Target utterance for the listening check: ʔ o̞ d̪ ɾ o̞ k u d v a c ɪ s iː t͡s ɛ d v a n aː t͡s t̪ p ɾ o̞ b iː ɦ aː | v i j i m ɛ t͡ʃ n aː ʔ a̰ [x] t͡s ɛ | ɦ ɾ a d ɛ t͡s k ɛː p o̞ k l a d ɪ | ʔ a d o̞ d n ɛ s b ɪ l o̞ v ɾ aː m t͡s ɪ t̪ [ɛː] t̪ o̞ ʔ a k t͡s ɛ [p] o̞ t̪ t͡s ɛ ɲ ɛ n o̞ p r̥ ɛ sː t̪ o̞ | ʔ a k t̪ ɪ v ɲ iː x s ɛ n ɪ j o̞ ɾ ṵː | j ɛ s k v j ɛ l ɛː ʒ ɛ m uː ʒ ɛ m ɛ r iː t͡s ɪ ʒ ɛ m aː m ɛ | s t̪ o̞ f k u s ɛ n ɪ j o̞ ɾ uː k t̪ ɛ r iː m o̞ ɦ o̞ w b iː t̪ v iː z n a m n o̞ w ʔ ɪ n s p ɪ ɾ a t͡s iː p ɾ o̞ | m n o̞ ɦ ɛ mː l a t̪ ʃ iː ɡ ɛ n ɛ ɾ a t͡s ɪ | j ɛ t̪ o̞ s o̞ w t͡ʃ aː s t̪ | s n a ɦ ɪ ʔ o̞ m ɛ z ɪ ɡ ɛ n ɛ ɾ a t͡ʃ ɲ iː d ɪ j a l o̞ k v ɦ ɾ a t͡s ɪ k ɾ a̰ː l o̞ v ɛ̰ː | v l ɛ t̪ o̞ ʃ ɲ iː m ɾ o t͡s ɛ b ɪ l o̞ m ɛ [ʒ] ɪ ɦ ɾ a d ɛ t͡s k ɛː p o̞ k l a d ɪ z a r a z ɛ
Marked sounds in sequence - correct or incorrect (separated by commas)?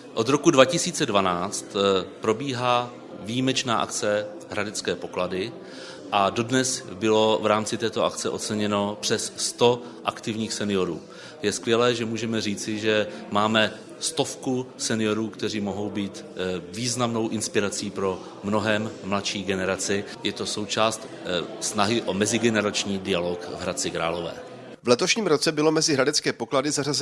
incorrect, correct, incorrect, incorrect